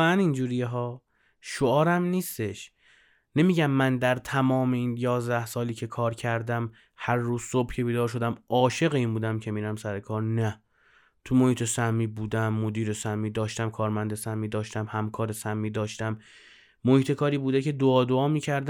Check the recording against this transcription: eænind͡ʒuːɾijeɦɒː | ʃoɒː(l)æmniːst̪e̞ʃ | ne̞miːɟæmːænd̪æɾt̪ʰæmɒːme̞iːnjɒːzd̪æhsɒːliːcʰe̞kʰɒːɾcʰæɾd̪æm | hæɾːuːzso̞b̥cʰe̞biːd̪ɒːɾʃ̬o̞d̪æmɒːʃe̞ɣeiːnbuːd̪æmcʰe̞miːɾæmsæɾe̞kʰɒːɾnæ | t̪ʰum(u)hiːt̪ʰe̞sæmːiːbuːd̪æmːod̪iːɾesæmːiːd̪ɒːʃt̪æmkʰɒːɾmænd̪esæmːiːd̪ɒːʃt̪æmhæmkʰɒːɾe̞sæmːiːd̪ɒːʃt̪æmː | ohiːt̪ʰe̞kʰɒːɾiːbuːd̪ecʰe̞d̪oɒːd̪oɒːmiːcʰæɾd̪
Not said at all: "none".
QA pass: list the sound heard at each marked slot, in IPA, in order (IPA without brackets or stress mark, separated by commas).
ɾ, o